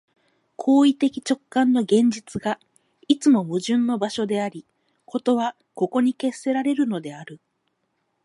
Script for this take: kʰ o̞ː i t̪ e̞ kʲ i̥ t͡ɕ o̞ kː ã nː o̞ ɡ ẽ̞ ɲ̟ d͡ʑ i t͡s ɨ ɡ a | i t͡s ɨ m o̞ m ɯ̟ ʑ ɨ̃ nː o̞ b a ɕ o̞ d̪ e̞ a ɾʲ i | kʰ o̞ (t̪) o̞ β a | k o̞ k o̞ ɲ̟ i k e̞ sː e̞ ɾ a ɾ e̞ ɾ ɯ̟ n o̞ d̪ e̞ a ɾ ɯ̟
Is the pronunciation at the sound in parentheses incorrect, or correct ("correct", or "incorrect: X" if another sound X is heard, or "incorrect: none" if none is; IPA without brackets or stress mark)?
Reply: correct